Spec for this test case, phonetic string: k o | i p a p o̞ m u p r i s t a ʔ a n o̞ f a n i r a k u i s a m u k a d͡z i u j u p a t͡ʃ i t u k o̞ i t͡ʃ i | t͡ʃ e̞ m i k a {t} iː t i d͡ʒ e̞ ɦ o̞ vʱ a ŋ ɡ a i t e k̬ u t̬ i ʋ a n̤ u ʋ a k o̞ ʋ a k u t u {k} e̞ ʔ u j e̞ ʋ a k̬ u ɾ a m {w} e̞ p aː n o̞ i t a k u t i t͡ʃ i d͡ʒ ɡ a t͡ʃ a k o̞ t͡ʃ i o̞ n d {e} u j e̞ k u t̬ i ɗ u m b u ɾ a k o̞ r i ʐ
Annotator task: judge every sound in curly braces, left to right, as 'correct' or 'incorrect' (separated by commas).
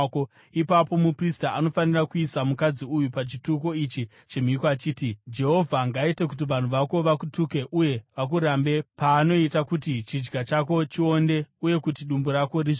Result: incorrect, correct, incorrect, correct